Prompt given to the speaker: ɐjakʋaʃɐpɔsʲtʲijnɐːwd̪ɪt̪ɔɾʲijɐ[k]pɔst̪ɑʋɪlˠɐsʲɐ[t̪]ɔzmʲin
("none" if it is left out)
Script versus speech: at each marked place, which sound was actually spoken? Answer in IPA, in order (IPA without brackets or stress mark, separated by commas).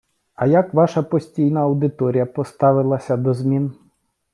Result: none, d̪